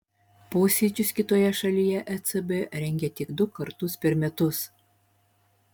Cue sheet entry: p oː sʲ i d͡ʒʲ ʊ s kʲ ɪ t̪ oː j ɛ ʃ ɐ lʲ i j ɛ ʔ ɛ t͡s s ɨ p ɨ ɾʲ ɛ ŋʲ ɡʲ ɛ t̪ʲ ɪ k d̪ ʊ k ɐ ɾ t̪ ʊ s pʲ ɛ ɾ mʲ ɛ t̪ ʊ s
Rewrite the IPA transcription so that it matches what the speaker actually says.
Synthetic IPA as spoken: p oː sʲ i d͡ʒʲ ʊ s kʲ ɪ t̪ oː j ɛ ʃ ɐ lʲ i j ɛ ʔ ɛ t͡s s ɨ b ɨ ɾʲ ɛ ŋʲ ɡʲ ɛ t̪ʲ ɪ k d̪ ʊ k ɐ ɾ t̪ ʊ s pʲ ɛ ɾ mʲ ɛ t̪ ʊ s